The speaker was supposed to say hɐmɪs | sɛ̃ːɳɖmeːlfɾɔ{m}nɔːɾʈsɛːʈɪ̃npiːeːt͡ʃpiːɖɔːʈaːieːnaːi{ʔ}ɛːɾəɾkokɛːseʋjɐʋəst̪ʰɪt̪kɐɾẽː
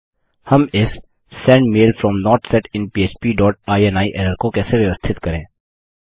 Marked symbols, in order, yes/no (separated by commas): yes, yes